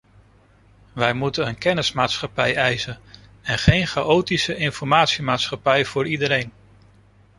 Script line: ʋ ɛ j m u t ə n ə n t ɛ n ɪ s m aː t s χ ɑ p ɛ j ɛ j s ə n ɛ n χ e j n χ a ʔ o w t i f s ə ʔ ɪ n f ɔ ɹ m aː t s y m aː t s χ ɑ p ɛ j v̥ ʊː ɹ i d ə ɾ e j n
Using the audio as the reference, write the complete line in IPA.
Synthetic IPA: ʋ ɛ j m u t ə n ə n k ɛ n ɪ s m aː t s χ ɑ p ɛ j ɛ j s ə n ɛ n χ e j n χ a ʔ o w t i s ə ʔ ɪ n f ɔ ɹ m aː t s i m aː t s χ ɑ p ɛ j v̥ ʊː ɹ i d ə ɾ e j n